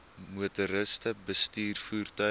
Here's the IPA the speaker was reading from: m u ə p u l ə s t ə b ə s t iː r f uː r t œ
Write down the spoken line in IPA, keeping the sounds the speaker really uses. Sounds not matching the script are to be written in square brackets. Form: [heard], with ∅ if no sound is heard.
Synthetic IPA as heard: m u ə [t] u [ɾ] ə s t ə b ə s t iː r f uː r t œ

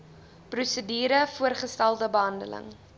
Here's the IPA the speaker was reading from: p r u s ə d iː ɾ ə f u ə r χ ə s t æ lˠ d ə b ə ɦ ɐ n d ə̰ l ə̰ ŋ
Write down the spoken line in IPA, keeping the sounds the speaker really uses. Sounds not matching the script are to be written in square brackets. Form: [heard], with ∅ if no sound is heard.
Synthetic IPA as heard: p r u s ə d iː ɾ ə f u ə r χ ə s t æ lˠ d ə b ə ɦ ɐ n d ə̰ l ə̰ ŋ

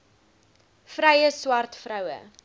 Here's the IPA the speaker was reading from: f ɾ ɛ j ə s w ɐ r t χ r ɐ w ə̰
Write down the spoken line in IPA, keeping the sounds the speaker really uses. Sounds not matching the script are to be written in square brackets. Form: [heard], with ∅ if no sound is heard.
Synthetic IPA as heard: f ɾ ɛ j ə s w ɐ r t [f] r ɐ w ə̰

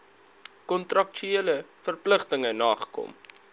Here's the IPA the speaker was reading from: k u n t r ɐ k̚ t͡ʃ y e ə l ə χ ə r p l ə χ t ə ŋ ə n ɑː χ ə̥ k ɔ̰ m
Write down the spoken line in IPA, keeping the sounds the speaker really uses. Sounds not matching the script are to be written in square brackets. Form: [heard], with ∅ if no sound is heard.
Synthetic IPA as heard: k [ɔ] n t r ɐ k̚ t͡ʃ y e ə l ə [f] ə r p l ə χ t ə ŋ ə n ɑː χ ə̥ k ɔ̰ m

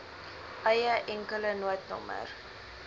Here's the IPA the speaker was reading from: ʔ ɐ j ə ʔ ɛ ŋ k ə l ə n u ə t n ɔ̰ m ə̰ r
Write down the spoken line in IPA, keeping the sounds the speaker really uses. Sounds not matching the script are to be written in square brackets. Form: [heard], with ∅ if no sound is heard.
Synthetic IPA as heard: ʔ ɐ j ə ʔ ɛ ŋ k ə l ə n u ə t n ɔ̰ m ə̰ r

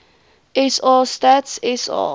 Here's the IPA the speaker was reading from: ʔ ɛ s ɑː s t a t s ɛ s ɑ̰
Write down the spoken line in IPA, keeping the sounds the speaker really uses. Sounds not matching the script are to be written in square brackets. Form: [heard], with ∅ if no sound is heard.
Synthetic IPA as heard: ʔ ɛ s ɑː s t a t s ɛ s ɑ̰

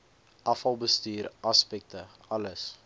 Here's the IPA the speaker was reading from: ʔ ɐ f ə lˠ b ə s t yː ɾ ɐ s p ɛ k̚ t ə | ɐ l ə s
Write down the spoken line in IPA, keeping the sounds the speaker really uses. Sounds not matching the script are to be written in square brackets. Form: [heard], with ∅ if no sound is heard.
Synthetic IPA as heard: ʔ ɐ f [ɐ] lˠ b ə s t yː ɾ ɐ s p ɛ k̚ t ə | ɐ l ə s

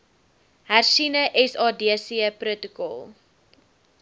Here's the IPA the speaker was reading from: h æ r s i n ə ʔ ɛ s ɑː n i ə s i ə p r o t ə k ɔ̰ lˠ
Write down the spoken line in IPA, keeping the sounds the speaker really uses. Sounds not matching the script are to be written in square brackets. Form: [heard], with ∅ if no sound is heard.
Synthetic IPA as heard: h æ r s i n ə ʔ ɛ s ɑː [d] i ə s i ə p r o t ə k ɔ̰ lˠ

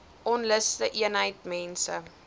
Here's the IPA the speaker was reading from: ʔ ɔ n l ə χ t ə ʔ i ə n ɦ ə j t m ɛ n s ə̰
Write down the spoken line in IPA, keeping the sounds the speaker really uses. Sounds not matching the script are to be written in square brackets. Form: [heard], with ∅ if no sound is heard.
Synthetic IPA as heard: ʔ ɔ n l ə [s] t ə ʔ i ə n ɦ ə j t m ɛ n s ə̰

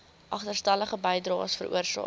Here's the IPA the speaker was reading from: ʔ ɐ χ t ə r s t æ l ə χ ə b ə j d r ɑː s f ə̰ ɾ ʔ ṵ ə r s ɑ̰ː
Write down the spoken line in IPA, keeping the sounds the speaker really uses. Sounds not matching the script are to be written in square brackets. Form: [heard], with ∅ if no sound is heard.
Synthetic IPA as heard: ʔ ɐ χ t ə r s t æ l ə χ ə b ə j d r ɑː s f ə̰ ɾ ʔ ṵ ə r s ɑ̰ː

